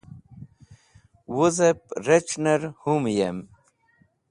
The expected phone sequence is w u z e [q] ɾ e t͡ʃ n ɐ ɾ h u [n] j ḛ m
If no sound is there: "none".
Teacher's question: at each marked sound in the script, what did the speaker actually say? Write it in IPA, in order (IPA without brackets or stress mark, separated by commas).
p, m